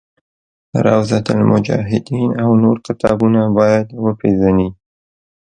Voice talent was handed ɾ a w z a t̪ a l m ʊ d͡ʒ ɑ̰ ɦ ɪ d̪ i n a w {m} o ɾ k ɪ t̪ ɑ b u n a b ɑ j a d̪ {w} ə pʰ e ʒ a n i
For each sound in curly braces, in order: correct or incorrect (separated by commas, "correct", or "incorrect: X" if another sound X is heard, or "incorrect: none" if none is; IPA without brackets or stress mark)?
incorrect: n, correct